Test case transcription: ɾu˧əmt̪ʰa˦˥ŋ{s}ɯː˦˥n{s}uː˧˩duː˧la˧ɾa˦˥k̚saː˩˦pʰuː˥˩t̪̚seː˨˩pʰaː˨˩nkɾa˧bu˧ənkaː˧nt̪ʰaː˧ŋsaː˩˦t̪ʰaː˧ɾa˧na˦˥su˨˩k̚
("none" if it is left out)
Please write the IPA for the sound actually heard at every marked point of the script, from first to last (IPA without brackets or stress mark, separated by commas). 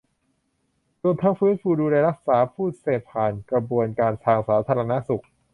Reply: f, f